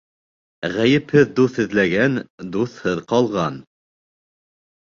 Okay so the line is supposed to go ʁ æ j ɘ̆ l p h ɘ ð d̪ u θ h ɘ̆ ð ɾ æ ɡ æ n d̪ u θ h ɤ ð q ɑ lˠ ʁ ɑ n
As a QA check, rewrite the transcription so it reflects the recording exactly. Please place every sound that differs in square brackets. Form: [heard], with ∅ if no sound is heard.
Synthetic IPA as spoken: ʁ æ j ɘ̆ [∅] p h ɘ ð d̪ u θ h ɘ̆ ð [l] æ ɡ æ n d̪ u θ h ɤ ð q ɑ lˠ ʁ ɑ n